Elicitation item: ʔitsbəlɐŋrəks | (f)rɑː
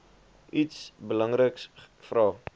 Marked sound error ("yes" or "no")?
no